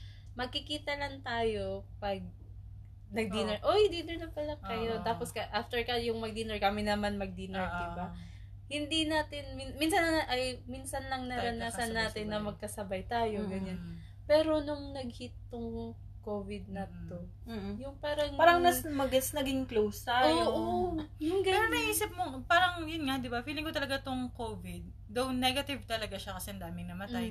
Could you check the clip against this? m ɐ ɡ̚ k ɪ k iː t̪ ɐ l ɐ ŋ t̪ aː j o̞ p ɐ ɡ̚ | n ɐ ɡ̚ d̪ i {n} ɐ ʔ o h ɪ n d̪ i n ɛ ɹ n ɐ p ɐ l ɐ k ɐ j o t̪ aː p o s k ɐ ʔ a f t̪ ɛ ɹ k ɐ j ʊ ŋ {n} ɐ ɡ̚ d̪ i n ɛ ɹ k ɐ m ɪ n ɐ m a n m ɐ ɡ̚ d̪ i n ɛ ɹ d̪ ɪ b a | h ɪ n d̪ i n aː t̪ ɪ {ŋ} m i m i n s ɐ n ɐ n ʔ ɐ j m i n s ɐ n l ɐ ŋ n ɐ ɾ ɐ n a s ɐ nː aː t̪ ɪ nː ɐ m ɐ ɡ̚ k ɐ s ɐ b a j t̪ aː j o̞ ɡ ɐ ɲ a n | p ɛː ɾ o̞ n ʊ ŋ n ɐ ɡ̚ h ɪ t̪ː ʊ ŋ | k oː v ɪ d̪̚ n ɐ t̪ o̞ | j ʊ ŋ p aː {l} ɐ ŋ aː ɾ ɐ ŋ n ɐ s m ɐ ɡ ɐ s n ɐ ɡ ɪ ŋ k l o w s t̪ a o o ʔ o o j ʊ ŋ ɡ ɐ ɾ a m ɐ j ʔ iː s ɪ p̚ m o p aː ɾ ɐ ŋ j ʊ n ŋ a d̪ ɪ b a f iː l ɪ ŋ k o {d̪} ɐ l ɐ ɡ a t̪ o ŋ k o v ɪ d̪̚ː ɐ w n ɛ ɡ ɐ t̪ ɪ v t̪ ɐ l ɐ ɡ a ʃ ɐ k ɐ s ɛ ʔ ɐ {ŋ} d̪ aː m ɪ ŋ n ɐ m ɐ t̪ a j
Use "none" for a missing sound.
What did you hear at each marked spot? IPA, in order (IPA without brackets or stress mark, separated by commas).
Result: n, m, n, ɾ, t̪, n